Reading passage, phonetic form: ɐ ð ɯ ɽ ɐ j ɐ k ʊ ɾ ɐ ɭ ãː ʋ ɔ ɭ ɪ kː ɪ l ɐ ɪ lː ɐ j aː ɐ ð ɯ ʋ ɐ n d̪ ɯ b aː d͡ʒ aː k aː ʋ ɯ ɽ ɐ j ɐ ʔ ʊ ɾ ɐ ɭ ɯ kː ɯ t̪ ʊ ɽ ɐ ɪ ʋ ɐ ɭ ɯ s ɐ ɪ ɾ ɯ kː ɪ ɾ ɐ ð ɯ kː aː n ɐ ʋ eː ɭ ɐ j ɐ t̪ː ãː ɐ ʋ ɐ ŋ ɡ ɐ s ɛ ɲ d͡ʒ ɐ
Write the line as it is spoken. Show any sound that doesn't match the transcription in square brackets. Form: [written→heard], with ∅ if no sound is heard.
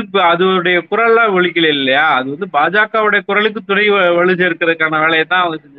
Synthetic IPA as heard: ɐ ð ɯ ɽ ɐ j ɐ k ʊ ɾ ɐ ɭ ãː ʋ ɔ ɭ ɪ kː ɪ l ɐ ɪ lː ɐ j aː ɐ ð ɯ ʋ ɐ n d̪ ɯ b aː d͡ʒ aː k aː ʋ ɯ ɽ ɐ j ɐ [ʔ→k] ʊ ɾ ɐ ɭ ɯ kː ɯ t̪ ʊ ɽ ɐ ɪ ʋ ɐ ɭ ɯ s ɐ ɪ ɾ ɯ kː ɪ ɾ ɐ ð ɯ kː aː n ɐ ʋ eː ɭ ɐ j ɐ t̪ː ãː ɐ ʋ ɐ ŋ ɡ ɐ s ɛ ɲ d͡ʒ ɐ